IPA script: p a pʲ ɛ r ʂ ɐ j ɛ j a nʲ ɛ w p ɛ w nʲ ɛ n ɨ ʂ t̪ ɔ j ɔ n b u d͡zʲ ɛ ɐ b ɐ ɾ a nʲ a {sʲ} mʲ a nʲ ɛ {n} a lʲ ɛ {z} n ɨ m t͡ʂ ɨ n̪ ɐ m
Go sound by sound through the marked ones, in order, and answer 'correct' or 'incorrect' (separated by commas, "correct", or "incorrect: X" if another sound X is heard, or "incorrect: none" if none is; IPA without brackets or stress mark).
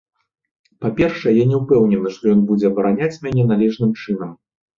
incorrect: t͡sʲ, correct, incorrect: ʐ